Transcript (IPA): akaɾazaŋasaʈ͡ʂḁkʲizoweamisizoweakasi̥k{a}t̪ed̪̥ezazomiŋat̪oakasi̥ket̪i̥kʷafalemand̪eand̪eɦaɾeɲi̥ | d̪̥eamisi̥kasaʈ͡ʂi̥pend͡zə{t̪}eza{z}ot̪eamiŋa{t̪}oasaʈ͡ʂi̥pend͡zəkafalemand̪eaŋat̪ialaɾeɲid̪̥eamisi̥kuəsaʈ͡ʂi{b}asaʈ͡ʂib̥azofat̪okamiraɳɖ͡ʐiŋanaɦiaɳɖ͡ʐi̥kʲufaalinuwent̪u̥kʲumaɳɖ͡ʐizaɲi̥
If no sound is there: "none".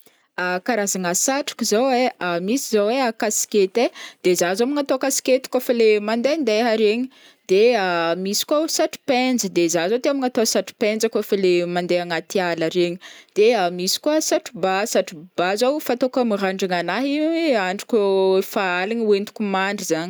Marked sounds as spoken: e, d̪, z, t̪, b

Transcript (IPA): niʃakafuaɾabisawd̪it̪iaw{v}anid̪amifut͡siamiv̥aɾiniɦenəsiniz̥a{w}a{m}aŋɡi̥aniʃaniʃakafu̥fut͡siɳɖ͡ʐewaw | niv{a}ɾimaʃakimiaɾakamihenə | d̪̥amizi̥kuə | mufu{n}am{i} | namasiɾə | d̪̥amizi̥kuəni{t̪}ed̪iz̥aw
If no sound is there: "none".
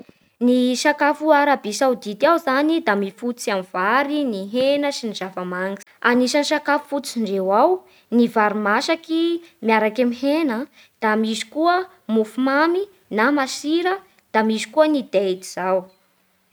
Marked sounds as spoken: z, v, m, a, m, i, d̪

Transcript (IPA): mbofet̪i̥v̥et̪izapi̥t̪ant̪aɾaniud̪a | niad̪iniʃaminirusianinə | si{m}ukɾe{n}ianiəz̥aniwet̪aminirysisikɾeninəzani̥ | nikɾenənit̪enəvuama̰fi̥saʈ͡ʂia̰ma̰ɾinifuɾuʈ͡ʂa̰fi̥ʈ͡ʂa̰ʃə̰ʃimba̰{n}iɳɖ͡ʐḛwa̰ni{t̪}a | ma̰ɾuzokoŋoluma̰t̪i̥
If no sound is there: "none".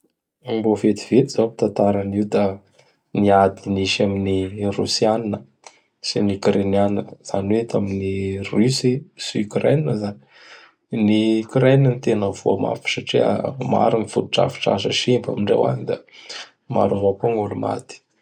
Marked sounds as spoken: n, n, m, d̪

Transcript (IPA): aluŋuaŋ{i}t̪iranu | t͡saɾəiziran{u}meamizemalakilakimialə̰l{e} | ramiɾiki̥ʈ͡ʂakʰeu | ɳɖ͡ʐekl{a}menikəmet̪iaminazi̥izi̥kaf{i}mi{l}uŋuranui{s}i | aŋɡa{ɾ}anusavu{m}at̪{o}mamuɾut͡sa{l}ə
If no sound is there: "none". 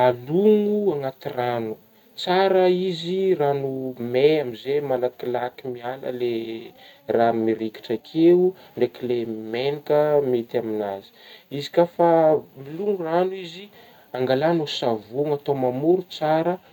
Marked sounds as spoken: a, u, e, e, a, l, z, l, ŋ, o, ɾ

